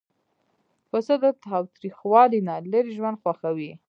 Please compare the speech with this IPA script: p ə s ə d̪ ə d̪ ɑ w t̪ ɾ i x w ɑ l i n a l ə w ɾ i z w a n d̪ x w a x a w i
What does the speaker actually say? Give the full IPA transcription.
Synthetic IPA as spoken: p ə s ə d̪ ə t̪ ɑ w t̪ ɾ i x w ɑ l i n a l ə ɾ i ʒ w a n d̪ x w a x a w i